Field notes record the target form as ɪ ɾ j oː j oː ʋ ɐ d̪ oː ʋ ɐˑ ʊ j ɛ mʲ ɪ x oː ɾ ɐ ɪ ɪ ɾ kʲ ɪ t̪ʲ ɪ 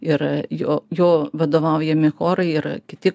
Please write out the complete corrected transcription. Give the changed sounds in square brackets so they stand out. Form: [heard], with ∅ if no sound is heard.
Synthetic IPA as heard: ɪ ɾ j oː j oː ʋ ɐ d̪ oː ʋ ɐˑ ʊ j ɛ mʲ ɪ x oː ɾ ɐ ɪ ɪ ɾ kʲ ɪ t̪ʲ ɪ